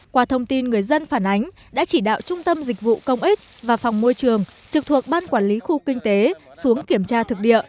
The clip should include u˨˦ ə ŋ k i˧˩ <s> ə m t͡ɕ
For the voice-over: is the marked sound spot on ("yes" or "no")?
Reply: no